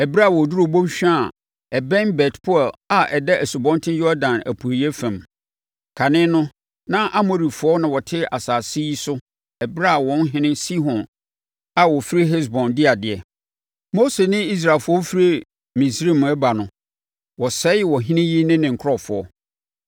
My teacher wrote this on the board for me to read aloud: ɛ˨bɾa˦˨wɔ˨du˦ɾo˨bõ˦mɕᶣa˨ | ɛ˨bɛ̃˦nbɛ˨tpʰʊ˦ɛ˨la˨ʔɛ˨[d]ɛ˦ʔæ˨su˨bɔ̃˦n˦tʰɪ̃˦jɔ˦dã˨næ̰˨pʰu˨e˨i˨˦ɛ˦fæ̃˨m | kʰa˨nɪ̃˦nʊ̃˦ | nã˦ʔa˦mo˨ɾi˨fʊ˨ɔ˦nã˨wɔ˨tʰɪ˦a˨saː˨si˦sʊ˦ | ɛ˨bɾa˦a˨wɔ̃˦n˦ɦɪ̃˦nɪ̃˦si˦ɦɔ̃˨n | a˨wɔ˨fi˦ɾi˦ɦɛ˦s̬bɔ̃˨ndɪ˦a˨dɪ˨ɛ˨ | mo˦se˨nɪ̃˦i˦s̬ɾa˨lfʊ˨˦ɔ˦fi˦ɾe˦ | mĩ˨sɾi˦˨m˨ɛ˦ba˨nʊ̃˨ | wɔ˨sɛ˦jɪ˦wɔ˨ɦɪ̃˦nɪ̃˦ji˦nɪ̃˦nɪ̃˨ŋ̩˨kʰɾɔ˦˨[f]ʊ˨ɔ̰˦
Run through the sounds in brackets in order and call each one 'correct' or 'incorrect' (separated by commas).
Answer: correct, correct